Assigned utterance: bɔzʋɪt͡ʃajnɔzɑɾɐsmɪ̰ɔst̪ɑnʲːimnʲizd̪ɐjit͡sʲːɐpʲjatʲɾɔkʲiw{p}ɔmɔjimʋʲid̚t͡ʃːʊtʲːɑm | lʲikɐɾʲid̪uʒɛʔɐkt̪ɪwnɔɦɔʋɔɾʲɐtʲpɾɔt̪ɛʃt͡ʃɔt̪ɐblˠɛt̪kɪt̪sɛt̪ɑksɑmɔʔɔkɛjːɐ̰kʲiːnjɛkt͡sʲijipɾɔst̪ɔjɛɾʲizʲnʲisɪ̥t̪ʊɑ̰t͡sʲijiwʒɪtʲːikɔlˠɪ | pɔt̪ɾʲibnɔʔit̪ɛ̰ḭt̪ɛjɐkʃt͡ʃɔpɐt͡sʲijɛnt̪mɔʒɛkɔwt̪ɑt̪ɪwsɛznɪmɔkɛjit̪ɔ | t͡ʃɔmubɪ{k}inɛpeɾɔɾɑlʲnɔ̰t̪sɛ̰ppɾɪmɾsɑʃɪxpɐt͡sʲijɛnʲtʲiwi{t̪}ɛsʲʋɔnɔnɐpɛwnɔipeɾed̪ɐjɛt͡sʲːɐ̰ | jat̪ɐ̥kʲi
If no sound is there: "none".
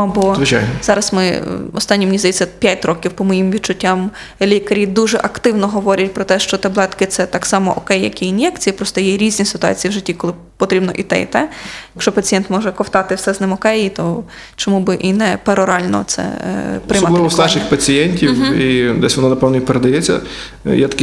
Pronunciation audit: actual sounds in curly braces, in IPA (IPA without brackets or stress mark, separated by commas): p, ʔ, d̪